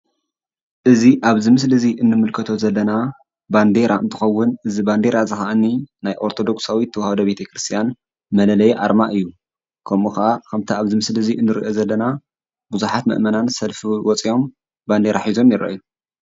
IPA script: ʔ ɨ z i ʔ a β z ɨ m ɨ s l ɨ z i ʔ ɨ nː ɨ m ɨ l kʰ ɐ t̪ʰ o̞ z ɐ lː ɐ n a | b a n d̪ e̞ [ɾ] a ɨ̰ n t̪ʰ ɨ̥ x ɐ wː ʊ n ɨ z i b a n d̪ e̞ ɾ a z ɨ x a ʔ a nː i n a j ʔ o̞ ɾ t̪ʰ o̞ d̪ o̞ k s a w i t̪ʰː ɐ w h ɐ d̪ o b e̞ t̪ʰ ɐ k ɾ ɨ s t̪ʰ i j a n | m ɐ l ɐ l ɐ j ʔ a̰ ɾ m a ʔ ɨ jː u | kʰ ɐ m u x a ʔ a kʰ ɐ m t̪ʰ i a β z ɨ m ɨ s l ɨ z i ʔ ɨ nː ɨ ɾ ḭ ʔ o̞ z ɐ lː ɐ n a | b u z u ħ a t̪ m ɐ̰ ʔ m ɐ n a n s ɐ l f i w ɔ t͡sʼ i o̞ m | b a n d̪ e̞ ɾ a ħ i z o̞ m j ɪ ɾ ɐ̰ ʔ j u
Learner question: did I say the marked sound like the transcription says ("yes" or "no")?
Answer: yes